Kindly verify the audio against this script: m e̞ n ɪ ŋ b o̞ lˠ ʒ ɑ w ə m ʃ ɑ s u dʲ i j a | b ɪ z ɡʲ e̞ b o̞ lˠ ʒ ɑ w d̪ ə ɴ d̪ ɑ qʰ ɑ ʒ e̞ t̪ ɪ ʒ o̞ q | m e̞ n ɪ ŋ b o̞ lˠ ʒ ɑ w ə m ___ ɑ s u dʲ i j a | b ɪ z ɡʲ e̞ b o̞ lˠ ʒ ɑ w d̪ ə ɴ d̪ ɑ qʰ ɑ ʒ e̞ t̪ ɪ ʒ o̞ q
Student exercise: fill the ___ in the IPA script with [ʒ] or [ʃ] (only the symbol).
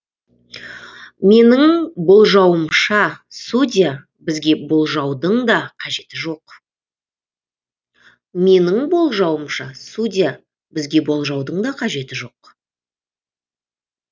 ʃ